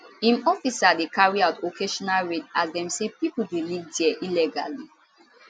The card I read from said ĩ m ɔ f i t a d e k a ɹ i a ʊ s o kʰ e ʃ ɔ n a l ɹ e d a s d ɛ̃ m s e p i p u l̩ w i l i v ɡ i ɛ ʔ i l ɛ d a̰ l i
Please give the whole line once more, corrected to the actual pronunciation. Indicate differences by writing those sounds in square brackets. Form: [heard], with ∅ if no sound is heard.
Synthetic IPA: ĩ m ɔ f i [s] a d e k a ɹ i a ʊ [t] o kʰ e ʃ ɔ n a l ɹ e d a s d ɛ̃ m s e p i p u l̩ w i l i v [d] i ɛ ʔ i l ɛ [ɡ] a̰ l i